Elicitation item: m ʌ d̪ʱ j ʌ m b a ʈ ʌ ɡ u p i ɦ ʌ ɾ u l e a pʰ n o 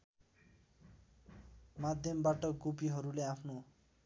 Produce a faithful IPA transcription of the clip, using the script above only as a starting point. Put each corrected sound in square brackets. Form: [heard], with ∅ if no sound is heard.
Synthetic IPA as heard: m [a] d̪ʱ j ʌ m b a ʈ ʌ ɡ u p i ɦ ʌ ɾ u l e a pʰ n o